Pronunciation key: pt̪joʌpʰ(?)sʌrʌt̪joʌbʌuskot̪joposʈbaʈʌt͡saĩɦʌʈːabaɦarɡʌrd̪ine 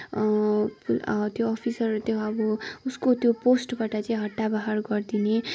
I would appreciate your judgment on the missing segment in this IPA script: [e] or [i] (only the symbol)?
i